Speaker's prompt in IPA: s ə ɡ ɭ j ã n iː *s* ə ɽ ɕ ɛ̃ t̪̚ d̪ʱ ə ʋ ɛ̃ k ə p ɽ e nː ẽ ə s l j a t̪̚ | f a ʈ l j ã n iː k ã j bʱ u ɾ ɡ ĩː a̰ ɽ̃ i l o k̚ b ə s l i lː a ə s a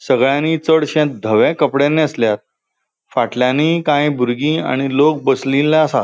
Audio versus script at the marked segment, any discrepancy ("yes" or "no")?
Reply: yes